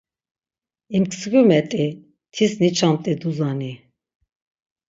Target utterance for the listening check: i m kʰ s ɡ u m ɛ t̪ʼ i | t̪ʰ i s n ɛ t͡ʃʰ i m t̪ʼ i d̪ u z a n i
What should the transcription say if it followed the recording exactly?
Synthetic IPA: i m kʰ s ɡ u m ɛ t̪ʼ i | t̪ʰ i s n i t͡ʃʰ a m t̪ʼ i d̪ u z a n i

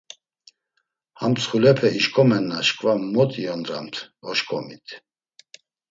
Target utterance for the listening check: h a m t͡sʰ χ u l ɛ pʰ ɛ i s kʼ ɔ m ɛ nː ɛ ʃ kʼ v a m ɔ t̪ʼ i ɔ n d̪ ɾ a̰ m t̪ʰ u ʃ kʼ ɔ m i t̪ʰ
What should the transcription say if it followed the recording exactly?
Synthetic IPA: h a m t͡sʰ χ u l ɛ pʰ ɛ i ʃ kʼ ɔ m ɛ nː a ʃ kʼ v a m ɔ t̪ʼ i ɔ n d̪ ɾ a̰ m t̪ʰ ɔ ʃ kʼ ɔ m i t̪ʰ

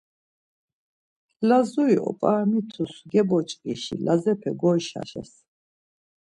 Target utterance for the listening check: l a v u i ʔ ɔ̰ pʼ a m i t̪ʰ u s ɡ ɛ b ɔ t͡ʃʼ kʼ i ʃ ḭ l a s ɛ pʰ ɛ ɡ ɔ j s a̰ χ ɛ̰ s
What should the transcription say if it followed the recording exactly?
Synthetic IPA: l a z u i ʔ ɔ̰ pʼ a m i t̪ʰ u s ɡ ɛ b ɔ t͡ʃʼ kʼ i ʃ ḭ l a z ɛ pʰ ɛ ɡ ɔ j ʃ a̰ ʃ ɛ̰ s

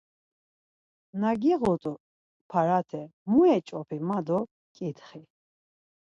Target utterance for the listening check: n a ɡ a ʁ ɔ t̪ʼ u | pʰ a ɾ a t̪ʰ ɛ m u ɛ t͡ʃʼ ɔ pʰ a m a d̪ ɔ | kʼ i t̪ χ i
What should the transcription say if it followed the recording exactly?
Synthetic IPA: n a ɡ i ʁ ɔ t̪ʼ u | pʰ a ɾ a t̪ʰ ɛ m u ɛ t͡ʃʼ ɔ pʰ i m a d̪ ɔ | kʼ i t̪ χ i

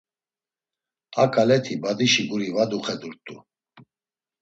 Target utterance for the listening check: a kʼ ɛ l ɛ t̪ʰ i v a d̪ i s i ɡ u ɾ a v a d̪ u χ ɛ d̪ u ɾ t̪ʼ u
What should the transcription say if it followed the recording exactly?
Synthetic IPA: a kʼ a l ɛ t̪ʰ i b a d̪ i ʃ i ɡ u ɾ i v a d̪ u χ ɛ d̪ u ɾ t̪ʼ u

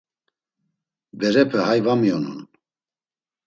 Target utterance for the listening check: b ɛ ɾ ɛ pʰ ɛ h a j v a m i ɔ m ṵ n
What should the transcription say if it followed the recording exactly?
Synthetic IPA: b ɛ ɾ ɛ pʰ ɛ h a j v a m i ɔ n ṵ n

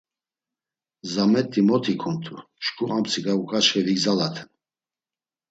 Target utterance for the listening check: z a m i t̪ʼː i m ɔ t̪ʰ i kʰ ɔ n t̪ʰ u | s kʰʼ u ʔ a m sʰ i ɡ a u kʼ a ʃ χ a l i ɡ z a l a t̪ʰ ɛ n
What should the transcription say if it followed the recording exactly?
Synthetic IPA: z a m ɛ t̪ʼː i m ɔ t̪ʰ i kʰ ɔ n t̪ʰ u | ʃ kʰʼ u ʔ a m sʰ i ɡ a u kʼ a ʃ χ ɛ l i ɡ z a l a t̪ʰ ɛ n

